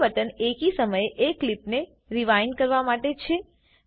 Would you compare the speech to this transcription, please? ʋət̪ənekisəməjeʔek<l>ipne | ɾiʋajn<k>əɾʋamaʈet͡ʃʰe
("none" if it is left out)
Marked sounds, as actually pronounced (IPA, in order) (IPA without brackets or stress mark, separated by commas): l, k